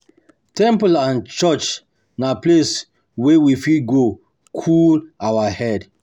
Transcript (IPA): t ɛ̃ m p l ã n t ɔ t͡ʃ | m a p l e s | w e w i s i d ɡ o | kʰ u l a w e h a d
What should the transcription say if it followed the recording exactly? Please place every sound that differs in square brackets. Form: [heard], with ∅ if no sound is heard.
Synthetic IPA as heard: t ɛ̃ m p l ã n [t͡ʃ] ɔ t͡ʃ | [n] a p l e s | w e w i [f] i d ɡ o | kʰ u l a w [a] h [ɛ] d